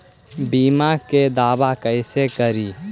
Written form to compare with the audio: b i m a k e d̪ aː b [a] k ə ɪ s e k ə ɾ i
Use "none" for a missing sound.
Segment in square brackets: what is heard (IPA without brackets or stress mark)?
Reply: a